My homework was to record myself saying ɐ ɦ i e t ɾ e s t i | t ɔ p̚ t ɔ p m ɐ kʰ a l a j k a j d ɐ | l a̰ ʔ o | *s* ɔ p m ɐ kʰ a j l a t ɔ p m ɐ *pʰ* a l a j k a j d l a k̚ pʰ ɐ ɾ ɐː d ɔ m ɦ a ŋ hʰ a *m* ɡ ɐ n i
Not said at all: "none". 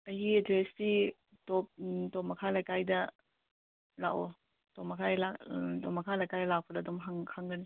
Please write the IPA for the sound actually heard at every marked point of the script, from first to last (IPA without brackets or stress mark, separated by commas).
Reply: t, kʰ, ŋ